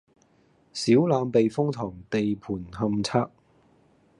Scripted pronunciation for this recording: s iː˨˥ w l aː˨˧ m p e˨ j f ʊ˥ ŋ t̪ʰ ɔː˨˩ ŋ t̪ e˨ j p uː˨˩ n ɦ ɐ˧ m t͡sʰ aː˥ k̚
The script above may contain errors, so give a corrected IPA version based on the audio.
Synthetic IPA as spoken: s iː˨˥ w l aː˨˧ m p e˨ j f ʊ˥ ŋ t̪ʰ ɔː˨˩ ŋ t̪ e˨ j pʰ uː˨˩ n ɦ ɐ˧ m t͡sʰ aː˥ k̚